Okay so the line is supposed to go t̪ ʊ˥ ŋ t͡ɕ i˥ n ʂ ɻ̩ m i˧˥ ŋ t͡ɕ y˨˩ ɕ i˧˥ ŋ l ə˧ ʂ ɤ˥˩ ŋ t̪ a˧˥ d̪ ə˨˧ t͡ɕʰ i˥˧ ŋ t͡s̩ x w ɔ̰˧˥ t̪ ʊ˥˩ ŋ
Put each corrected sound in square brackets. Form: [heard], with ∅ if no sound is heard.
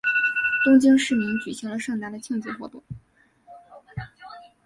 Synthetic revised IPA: t̪ ʊ˥ ŋ t͡ɕ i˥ [ŋ] ʂ ɻ̩ m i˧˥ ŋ t͡ɕ y˨˩ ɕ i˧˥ ŋ l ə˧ ʂ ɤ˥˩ ŋ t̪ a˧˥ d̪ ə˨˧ t͡ɕʰ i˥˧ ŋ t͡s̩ x w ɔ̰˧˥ t̪ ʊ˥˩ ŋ